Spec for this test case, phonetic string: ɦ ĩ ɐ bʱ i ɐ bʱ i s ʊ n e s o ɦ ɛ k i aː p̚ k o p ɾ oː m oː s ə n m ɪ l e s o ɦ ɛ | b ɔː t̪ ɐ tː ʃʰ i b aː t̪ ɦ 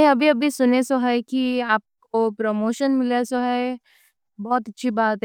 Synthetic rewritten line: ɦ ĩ ɐ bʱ i ɐ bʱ i s ʊ n e s o ɦ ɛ k i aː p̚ k o p ɾ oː m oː ʃ ə n m ɪ l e s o ɦ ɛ | b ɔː t̪ ɐ tː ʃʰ i b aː t̪ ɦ